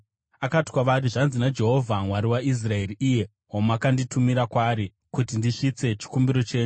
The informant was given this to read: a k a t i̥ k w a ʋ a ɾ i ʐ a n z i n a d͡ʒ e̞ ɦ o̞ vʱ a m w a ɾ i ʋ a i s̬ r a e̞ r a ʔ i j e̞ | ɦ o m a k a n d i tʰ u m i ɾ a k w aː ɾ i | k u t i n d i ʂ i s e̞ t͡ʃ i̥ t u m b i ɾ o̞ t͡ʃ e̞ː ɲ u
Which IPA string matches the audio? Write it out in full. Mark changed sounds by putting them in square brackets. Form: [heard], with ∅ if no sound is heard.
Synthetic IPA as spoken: a k a t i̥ k w a ʋ a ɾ i ʐ a n z i n a d͡ʒ e̞ ɦ o̞ vʱ a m w a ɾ i [w] a i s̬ r a e̞ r [i] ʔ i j e̞ | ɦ o m a k a n d i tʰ u m i ɾ a k w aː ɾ i | k u t i n d i ʂ i [t͡s] e̞ t͡ʃ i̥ [k] u m b i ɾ o̞ t͡ʃ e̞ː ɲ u